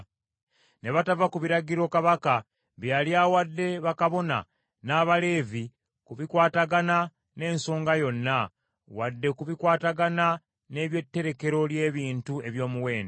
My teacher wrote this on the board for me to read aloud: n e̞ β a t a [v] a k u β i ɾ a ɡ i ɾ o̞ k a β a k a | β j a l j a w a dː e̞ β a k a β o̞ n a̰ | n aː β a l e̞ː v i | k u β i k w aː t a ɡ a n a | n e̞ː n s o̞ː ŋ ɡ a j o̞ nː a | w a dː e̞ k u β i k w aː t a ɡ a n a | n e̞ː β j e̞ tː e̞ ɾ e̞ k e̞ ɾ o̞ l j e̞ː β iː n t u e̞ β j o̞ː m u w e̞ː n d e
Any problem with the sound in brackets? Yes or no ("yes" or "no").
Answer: no